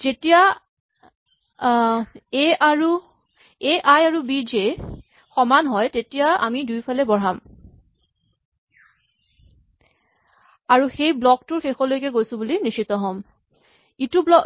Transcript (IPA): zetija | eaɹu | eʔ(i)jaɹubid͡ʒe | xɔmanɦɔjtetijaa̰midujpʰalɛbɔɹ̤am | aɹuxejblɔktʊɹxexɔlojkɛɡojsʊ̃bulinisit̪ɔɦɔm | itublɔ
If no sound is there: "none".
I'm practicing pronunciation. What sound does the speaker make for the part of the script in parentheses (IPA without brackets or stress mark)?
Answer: a